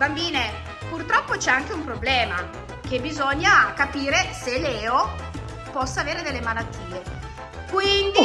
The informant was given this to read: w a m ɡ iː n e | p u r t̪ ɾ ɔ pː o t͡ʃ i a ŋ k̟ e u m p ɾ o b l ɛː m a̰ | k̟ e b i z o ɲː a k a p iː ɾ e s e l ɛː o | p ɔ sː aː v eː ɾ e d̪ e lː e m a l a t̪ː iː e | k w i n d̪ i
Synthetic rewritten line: b a m b iː n e | p u r t̪ ɾ ɔ pː o t͡ʃ ɛ a ŋ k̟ e u m p ɾ o b l ɛː m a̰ | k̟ e b i z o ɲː a k a p iː ɾ e s e l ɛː o | p ɔ sː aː v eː ɾ e d̪ e lː e m a l a t̪ː iː e | k w i n d̪ i